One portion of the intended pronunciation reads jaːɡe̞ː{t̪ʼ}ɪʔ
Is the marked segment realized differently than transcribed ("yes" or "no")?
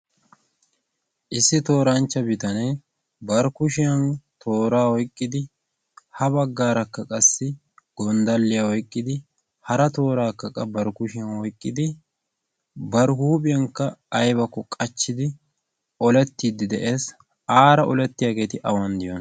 yes